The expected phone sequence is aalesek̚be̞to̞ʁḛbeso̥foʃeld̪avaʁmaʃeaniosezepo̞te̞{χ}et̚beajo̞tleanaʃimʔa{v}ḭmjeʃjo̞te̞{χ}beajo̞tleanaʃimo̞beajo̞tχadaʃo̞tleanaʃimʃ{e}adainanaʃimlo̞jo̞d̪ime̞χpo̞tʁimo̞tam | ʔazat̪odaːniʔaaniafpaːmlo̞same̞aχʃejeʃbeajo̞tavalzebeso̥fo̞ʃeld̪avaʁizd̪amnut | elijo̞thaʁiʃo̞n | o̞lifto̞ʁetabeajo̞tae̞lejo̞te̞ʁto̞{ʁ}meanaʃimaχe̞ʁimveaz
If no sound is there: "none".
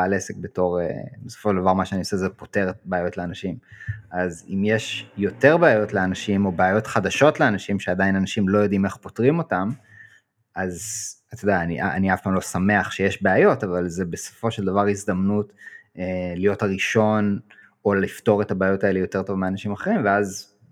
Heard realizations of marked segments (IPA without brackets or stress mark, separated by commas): ʁ, z, ʁ, e, v